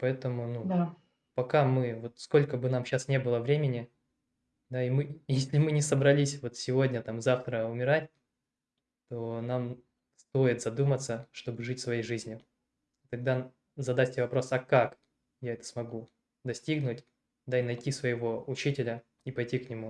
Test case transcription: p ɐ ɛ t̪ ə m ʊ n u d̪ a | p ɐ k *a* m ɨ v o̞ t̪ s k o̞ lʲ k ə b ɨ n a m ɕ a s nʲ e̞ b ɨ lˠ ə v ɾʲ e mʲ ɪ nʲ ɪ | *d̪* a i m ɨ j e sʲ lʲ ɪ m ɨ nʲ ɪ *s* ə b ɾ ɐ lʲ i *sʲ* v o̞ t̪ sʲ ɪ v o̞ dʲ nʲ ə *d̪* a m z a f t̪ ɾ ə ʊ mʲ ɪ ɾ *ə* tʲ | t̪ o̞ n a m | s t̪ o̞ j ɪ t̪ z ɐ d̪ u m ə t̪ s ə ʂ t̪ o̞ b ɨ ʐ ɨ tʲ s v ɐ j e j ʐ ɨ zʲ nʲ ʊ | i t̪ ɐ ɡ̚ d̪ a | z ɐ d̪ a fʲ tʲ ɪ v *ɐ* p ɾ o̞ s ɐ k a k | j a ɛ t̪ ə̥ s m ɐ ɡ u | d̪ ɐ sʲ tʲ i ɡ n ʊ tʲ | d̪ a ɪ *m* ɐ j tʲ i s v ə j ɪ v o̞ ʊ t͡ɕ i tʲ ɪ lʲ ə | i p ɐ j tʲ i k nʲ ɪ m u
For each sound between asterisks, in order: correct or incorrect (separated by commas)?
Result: correct, correct, correct, correct, incorrect, incorrect, correct, incorrect